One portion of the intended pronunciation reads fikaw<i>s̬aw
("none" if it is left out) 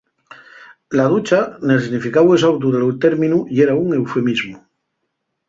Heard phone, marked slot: e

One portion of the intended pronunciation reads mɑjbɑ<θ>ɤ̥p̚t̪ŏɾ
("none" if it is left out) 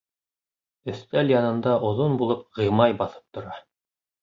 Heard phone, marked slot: θ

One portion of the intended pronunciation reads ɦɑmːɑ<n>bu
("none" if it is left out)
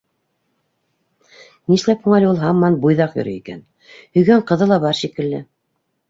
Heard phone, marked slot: n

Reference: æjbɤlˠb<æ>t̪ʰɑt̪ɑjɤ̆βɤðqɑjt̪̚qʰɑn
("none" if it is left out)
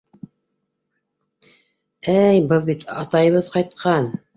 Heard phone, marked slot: i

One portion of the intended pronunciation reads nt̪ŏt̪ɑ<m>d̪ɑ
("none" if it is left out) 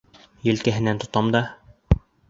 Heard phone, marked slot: m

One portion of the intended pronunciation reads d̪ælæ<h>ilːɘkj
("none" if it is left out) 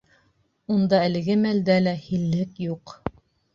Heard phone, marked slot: h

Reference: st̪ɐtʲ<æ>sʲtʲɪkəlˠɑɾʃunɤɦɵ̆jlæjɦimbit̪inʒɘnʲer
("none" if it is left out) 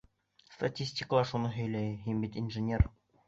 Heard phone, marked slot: i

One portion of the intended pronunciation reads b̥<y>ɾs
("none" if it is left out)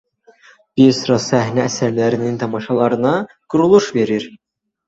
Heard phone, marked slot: i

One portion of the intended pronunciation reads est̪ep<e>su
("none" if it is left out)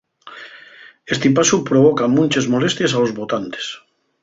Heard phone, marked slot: a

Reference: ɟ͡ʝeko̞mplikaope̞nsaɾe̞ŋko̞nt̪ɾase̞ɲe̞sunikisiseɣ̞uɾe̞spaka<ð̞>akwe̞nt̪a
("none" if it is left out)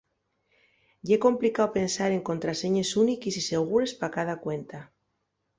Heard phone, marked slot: ð̞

